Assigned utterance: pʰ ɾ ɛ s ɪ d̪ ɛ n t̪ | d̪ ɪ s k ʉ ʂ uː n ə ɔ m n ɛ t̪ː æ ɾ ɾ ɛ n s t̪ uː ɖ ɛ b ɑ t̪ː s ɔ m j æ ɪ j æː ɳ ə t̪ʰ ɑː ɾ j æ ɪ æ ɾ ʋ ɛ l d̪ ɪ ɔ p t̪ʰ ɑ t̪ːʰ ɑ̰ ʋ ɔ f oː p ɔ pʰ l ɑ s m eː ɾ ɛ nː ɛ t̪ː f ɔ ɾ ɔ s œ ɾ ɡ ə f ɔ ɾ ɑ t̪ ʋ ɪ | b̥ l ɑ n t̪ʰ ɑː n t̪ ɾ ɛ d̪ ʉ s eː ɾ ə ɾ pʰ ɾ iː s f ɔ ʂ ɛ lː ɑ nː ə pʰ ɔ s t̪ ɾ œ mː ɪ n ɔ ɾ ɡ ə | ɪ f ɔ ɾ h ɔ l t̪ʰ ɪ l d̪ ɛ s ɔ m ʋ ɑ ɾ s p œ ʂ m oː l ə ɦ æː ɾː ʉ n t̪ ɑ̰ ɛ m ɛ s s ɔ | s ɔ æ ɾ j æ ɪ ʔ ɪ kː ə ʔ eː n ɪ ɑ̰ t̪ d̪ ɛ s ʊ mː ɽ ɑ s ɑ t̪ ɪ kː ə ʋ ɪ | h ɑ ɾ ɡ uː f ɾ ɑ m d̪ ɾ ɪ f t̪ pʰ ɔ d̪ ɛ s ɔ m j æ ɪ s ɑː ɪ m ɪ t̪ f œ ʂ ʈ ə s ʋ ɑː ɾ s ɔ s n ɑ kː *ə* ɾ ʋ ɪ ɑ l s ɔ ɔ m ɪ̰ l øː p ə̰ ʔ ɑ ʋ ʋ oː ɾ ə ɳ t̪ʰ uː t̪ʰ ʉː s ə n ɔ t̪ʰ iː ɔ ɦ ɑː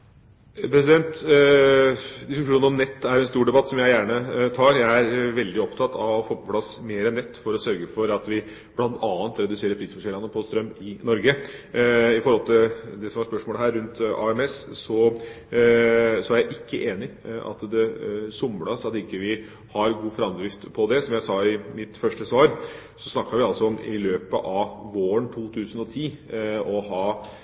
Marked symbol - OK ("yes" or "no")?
no